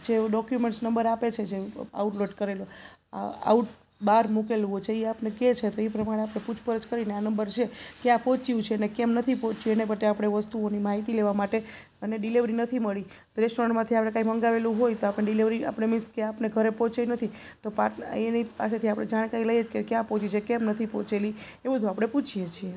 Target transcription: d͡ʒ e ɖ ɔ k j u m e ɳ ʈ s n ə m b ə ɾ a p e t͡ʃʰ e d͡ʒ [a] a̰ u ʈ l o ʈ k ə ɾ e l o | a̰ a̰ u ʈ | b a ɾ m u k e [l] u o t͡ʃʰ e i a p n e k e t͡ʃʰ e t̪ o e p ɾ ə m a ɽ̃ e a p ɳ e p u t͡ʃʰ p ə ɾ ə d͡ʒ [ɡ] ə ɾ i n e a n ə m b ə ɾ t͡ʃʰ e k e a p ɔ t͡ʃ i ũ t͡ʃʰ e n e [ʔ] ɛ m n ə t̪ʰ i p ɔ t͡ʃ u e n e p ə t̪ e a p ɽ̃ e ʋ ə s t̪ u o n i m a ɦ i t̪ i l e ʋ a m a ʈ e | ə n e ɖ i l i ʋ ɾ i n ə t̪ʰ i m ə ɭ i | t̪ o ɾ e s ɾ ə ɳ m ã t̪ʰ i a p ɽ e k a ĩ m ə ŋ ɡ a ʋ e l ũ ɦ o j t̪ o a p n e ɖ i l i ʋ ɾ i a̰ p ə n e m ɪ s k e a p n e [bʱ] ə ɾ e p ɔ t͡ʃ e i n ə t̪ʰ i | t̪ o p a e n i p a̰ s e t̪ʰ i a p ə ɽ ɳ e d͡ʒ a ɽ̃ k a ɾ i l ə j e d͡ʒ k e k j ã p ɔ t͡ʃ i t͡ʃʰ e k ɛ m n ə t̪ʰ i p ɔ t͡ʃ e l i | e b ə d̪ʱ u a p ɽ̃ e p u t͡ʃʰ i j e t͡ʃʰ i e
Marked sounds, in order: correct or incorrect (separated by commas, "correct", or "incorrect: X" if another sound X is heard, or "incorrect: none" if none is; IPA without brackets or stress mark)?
incorrect: e, correct, incorrect: k, incorrect: k, incorrect: ɡʱ